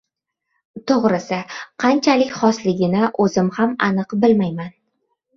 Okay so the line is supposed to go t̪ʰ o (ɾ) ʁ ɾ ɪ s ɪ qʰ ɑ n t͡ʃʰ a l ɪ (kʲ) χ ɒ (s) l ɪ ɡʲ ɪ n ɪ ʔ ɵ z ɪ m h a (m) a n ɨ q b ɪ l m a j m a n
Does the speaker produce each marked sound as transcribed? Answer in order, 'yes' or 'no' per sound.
no, yes, yes, yes

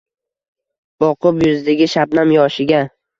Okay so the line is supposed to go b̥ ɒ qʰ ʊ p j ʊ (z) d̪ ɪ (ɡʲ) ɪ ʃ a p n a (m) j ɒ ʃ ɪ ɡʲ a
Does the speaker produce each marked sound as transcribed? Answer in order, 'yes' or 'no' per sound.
yes, yes, yes

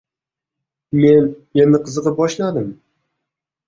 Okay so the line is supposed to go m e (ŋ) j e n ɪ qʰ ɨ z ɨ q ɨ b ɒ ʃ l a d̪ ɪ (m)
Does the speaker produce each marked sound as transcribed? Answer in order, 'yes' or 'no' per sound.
no, yes

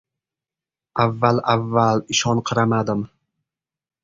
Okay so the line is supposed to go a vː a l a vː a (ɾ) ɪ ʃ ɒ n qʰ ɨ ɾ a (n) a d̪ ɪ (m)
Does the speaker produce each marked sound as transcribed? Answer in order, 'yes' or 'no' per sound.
no, no, yes

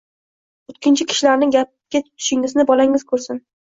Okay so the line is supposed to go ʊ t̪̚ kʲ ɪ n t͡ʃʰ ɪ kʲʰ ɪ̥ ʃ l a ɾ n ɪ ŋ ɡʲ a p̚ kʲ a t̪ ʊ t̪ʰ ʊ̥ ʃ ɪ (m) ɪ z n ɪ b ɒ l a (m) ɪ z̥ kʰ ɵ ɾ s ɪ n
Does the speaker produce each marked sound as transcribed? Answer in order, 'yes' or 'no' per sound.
no, no

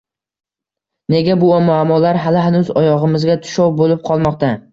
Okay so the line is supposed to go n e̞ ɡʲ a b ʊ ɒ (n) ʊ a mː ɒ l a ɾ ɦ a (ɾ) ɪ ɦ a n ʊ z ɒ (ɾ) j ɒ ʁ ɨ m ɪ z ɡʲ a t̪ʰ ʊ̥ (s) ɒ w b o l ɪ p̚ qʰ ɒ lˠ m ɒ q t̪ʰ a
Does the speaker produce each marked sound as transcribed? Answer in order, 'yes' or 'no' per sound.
no, no, no, no

